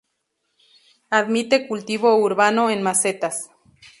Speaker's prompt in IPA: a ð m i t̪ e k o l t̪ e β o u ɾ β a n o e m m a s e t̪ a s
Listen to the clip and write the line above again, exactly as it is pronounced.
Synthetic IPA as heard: a ð m i t̪ e k u l t̪ i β o u ɾ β a n o e n m a s e t̪ a s